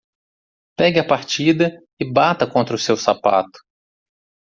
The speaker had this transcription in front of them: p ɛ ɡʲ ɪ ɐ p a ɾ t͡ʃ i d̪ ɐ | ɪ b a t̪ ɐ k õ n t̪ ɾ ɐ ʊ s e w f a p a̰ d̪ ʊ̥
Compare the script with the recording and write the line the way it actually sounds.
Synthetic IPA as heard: p ɛ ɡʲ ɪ ɐ p a ɾ t͡ʃ i d̪ ɐ | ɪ b a t̪ ɐ k õ n t̪ ɾ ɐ ʊ s e w s a p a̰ t̪ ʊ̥